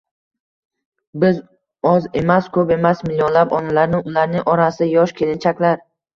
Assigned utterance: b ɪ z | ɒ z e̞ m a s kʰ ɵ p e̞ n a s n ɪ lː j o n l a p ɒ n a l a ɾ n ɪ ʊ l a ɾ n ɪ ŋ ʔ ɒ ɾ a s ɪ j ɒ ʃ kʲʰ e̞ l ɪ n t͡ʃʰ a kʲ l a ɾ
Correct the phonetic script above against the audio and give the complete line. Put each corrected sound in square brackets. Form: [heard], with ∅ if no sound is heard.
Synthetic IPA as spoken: b ɪ z | ɒ z e̞ m a s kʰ ɵ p e̞ [m] a s [m] ɪ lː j o n l a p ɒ n a l a ɾ n ɪ ʊ l a ɾ n ɪ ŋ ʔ ɒ ɾ a s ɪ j ɒ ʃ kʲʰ e̞ l ɪ n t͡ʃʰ a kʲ l a ɾ